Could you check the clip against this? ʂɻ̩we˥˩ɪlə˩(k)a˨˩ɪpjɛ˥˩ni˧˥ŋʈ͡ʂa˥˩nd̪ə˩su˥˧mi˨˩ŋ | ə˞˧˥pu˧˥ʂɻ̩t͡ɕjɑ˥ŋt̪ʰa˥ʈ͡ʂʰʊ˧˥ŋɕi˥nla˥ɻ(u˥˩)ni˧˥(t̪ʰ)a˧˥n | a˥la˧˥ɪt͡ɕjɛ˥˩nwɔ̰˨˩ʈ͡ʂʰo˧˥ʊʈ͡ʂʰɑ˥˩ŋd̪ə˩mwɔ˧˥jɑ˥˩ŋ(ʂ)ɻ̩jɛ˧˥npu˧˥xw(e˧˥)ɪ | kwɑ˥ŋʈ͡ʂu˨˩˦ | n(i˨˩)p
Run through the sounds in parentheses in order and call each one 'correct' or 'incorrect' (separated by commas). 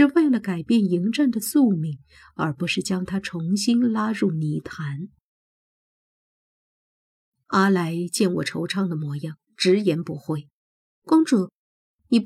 correct, correct, correct, incorrect, incorrect, correct